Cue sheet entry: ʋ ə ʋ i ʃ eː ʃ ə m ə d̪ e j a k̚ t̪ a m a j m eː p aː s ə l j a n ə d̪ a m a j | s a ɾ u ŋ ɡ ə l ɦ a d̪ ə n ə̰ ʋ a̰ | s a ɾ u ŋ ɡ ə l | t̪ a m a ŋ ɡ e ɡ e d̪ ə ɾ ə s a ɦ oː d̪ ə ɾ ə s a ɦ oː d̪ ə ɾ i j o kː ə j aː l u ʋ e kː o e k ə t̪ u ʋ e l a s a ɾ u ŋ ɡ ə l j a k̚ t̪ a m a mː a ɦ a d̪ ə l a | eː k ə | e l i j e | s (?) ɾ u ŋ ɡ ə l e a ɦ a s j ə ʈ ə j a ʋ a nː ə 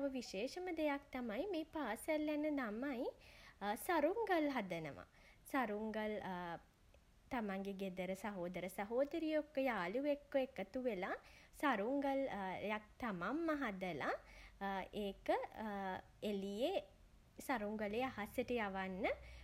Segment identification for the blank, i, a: a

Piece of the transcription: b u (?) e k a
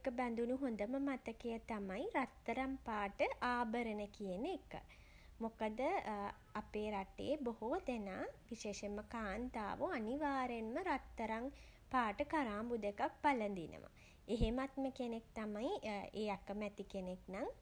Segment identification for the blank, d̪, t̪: d̪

